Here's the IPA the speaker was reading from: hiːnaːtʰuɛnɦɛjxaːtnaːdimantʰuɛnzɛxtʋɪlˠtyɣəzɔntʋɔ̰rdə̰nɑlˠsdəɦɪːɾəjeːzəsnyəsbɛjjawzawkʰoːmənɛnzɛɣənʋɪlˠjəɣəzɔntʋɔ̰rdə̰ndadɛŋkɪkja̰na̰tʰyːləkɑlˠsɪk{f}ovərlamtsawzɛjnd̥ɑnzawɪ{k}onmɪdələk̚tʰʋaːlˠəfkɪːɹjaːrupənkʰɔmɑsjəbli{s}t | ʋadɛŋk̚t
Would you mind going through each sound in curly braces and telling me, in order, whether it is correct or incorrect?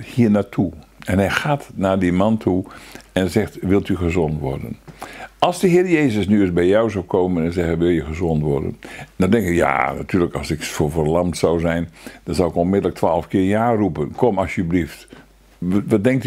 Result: correct, correct, incorrect: f

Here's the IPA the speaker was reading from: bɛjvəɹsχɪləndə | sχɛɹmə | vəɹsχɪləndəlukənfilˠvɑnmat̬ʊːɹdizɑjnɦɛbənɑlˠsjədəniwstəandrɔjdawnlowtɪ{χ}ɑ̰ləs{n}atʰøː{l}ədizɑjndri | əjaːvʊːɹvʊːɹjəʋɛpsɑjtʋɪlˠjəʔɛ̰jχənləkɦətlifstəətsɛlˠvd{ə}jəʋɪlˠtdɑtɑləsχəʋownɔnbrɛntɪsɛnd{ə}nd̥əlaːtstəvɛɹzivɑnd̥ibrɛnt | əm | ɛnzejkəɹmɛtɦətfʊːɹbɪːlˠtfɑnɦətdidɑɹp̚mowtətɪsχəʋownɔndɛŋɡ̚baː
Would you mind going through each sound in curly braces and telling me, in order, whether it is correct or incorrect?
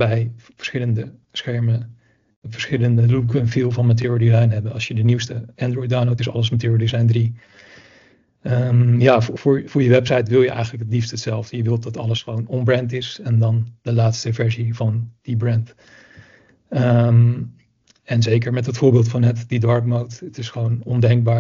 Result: incorrect: s, incorrect: m, incorrect: ɹ, correct, incorrect: ɑ

